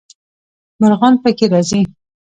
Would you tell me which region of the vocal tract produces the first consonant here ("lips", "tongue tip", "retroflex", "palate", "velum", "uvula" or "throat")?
lips